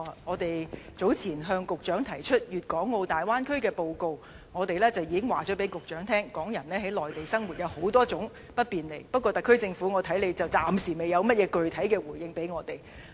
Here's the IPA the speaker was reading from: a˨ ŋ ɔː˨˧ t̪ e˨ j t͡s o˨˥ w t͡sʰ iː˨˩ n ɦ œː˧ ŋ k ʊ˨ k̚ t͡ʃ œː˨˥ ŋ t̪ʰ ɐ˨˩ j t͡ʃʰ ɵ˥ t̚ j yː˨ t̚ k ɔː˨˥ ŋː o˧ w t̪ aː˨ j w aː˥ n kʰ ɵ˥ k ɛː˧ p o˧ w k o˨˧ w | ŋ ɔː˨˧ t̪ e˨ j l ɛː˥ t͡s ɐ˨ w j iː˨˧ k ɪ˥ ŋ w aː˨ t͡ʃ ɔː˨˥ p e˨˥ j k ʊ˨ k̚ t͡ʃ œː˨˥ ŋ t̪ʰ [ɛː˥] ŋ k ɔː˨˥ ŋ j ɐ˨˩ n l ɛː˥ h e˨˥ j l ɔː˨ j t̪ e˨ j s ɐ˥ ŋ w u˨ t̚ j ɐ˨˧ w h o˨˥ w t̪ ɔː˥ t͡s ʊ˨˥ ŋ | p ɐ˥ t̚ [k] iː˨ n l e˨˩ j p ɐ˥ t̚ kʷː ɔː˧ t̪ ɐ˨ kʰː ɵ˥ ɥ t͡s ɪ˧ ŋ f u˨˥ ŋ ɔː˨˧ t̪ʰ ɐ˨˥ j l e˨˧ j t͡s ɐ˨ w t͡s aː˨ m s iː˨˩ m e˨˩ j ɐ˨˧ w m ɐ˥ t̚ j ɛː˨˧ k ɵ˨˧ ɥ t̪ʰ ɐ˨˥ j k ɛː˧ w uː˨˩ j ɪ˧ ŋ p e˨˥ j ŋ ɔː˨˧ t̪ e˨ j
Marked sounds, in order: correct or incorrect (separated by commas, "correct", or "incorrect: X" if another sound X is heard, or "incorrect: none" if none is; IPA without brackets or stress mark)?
correct, incorrect: p